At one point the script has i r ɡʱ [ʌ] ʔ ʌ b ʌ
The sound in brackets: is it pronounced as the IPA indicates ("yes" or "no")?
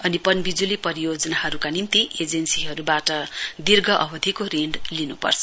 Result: yes